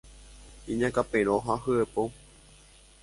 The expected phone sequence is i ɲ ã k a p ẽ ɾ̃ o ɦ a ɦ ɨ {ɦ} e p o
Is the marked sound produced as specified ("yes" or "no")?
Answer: no